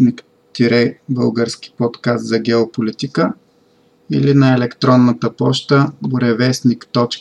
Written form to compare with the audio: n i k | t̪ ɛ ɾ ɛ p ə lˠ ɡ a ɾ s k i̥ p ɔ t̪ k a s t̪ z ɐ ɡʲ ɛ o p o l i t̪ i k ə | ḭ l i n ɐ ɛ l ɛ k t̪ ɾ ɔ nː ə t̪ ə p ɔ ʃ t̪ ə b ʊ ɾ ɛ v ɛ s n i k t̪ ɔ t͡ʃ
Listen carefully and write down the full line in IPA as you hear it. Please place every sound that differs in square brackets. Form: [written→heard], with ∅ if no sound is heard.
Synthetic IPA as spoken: n i k | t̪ [ɛ→i] ɾ ɛ [p→b] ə lˠ ɡ [a→ə] ɾ s k i̥ p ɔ t̪ k a s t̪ z ɐ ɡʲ ɛ o p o l i t̪ i k ə | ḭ l i n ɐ ɛ l ɛ k t̪ ɾ ɔ nː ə t̪ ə p ɔ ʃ t̪ ə b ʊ ɾ ɛ v ɛ s n i k t̪ ɔ t͡ʃ